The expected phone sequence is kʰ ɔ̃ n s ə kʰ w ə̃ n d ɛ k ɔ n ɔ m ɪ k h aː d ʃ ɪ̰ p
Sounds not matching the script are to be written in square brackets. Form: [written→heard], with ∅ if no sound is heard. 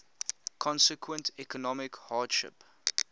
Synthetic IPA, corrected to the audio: kʰ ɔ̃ n s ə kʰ w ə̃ n [d→t] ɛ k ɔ n ɔ m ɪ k h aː d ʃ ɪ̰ p